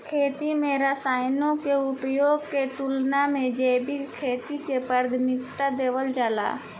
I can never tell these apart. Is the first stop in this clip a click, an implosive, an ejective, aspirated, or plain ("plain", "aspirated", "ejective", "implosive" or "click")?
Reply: aspirated